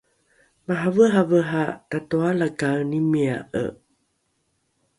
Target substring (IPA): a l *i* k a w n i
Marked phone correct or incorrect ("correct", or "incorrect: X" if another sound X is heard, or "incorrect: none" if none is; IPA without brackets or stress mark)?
incorrect: a